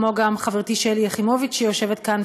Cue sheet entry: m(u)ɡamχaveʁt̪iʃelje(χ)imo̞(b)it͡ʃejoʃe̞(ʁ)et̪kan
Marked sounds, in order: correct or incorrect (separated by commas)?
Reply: incorrect, correct, incorrect, incorrect